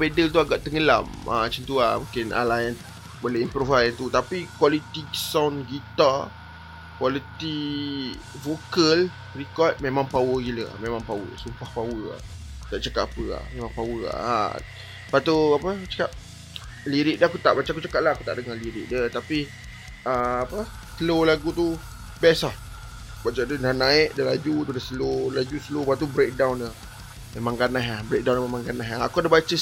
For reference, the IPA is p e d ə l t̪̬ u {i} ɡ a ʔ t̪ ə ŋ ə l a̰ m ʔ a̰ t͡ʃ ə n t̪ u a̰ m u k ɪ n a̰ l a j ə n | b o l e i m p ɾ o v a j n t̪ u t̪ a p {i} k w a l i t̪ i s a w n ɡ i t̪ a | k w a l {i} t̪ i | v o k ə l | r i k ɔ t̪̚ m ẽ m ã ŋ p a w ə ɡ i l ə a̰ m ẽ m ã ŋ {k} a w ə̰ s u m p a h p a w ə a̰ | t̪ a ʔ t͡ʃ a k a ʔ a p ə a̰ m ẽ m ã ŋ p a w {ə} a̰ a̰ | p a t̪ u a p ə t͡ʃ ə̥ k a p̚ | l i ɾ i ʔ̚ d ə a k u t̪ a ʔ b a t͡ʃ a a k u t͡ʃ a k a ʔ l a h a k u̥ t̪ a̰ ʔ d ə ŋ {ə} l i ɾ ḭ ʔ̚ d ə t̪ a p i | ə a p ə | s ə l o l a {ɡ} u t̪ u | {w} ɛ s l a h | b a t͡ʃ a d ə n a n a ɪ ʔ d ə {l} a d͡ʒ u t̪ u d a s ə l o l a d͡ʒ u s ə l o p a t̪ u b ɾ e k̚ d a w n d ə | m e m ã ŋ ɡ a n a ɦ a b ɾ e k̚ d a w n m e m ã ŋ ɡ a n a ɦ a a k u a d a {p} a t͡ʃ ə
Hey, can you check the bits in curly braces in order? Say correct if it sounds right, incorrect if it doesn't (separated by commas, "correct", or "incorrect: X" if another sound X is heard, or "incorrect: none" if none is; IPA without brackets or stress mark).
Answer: incorrect: a, correct, correct, incorrect: p, correct, incorrect: a, correct, incorrect: b, correct, incorrect: b